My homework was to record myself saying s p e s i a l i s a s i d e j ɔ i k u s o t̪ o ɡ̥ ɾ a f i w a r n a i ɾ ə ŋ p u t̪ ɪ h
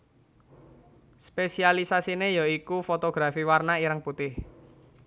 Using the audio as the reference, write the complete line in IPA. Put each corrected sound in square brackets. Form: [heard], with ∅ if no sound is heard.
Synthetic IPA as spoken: s p e s i a l i s a s i [n] e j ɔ i k u [f] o t̪ o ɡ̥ ɾ a f i w a r n a i ɾ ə ŋ p u t̪ ɪ h